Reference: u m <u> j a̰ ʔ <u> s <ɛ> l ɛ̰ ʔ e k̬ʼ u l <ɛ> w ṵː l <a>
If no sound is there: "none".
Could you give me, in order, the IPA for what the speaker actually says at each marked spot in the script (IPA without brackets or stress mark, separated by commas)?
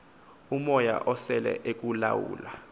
ɔ, ɔ, ɛ, a, a